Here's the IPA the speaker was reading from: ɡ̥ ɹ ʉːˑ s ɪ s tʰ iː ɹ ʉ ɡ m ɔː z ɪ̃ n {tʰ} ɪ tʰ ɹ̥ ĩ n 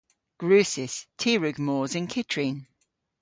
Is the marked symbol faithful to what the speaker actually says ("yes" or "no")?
no